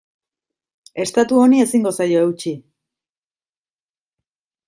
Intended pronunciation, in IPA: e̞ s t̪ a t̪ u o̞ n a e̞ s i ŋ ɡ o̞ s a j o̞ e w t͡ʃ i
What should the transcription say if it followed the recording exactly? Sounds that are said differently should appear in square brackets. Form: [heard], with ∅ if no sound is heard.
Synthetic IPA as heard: e̞ s t̪ a t̪ u o̞ n [i] e̞ s i ŋ ɡ o̞ s a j o̞ e w t͡ʃ i